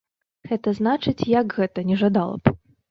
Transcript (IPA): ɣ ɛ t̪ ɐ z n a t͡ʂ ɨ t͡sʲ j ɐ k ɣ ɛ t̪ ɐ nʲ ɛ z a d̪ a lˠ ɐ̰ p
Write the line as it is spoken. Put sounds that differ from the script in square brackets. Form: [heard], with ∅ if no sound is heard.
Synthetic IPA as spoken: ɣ ɛ t̪ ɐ z n a t͡ʂ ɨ t͡sʲ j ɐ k ɣ ɛ t̪ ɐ nʲ ɛ [ʐ] a d̪ a lˠ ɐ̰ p

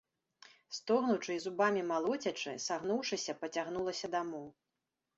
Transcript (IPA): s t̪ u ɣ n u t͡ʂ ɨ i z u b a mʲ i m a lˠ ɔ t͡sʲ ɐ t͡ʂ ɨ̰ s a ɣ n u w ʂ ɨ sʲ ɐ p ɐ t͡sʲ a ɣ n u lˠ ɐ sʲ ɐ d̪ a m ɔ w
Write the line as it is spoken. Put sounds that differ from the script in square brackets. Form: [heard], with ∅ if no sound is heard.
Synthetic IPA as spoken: s t̪ [ɔ] ɣ n u t͡ʂ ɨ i z u b a mʲ i m a lˠ ɔ t͡sʲ ɐ t͡ʂ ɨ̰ s a ɣ n u w ʂ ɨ sʲ ɐ p ɐ t͡sʲ a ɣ n u lˠ ɐ sʲ ɐ d̪ a m ɔ w

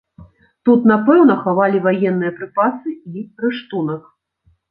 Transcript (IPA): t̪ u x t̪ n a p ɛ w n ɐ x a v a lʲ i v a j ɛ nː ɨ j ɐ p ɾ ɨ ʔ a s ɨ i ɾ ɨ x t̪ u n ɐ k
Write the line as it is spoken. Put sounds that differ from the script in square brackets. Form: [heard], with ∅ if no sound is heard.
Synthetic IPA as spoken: t̪ u [∅] t̪ n a p ɛ w n ɐ x a v a lʲ i v a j ɛ nː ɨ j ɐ p ɾ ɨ [p] a s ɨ i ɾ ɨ [ʂ] t̪ u n ɐ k

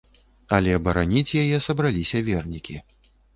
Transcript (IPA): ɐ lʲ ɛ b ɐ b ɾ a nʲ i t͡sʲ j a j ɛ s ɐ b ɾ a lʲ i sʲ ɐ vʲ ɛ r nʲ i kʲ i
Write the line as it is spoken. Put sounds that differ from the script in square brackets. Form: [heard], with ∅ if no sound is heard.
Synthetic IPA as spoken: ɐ lʲ ɛ b ɐ [∅] ɾ a nʲ i t͡sʲ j a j ɛ s ɐ b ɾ a lʲ i sʲ ɐ vʲ ɛ r nʲ i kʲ i

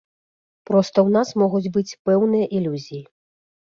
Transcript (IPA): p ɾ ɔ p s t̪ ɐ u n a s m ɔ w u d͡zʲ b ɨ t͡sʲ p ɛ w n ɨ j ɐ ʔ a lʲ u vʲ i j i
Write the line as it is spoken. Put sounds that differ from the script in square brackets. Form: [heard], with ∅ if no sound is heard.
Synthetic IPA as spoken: p ɾ ɔ [∅] s t̪ ɐ [w] n a s m ɔ [ɣ] u d͡zʲ b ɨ t͡sʲ p ɛ w n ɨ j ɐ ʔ [i] lʲ u [zʲ] i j i

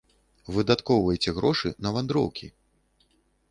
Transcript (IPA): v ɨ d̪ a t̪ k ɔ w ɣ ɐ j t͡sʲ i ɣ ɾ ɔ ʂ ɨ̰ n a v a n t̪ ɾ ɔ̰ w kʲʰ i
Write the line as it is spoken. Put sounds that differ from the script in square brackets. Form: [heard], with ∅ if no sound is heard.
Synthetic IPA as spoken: v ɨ d̪ a t̪ k ɔ w [v] ɐ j t͡sʲ [ɛ] ɣ ɾ ɔ ʂ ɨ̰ n [ɐ] v a n [d̪] ɾ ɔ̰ w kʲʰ i

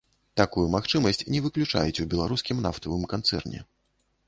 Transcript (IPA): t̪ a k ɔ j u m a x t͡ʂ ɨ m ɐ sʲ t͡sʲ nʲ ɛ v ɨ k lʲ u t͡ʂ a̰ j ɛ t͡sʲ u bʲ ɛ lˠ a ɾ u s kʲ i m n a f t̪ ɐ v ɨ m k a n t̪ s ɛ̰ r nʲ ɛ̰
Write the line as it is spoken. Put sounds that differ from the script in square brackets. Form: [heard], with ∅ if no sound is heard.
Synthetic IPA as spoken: t̪ a k [u] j u m a x t͡ʂ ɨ m ɐ sʲ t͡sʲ nʲ ɛ v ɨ k lʲ u t͡ʂ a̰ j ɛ t͡sʲ u bʲ ɛ lˠ a ɾ u s kʲ i m n a f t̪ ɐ v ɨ m k a n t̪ s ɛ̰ r nʲ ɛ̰

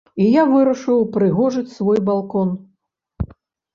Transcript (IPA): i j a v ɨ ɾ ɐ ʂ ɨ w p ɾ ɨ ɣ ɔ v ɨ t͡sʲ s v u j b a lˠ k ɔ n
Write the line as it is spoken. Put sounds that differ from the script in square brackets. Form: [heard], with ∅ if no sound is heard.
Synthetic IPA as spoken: i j a v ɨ ɾ ɐ ʂ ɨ w p ɾ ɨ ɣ ɔ [ʐ] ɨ t͡sʲ s v [ɔ] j b a lˠ k ɔ n

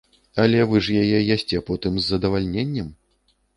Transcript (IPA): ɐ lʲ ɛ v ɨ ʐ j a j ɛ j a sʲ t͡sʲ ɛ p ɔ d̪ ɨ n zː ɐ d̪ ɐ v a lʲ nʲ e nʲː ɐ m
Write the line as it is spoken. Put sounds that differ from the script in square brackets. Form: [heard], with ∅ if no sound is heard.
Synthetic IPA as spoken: ɐ lʲ ɛ v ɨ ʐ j a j ɛ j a sʲ t͡sʲ ɛ p ɔ [t̪] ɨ [m] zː ɐ d̪ ɐ v a lʲ nʲ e nʲː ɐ m

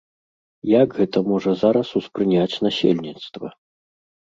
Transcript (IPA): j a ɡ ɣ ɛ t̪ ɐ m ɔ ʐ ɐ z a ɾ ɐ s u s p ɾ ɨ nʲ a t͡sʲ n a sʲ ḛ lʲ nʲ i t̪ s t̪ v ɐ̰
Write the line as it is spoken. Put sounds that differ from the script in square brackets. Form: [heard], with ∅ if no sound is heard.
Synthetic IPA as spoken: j a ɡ ɣ ɛ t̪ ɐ m ɔ ʐ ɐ z a ɾ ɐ s u s p ɾ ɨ nʲ a t͡sʲ n a sʲ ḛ lʲ nʲ i t̪ s t̪ v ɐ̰

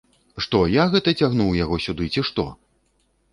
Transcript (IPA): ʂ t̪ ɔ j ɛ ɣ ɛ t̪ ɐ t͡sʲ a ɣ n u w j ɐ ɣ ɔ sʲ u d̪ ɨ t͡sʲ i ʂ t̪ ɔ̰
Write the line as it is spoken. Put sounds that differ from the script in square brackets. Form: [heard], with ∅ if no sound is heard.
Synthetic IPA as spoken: ʂ t̪ ɔ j [a] ɣ ɛ t̪ ɐ t͡sʲ a ɣ n u w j [a] ɣ ɔ sʲ u d̪ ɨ t͡sʲ i ʂ t̪ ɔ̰

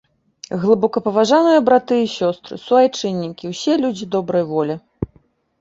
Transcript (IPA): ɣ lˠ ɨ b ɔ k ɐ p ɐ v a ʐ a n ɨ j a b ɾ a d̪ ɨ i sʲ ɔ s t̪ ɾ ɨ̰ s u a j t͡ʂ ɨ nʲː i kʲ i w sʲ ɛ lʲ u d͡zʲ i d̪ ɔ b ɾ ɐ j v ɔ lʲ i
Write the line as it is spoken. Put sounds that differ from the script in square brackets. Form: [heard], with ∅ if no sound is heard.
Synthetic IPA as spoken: ɣ lˠ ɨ b ɔ k ɐ p ɐ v a ʐ a n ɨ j [ɐ] b ɾ a [t̪] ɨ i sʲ ɔ s t̪ ɾ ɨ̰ s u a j t͡ʂ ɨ nʲː i kʲ i w sʲ ɛ lʲ u d͡zʲ i d̪ ɔ b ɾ ɐ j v ɔ lʲ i

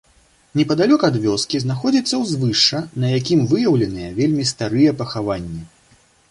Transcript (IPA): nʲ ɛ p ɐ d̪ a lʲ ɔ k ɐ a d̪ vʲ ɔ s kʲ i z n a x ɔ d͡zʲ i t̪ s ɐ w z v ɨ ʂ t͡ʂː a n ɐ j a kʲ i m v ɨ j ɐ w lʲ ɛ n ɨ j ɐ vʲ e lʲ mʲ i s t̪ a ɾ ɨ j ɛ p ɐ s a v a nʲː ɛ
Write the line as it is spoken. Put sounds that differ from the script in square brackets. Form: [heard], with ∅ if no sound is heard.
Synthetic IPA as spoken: nʲ ɛ p ɐ d̪ a lʲ ɔ k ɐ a d̪ vʲ ɔ s kʲ i z n a x ɔ d͡zʲ i t̪ [sː] ɐ w z v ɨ ʂ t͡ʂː [ɐ] n ɐ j a kʲ i m v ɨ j ɐ w lʲ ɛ n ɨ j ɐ vʲ e lʲ mʲ i s t̪ a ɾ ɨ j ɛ p ɐ [x] a v a nʲː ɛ

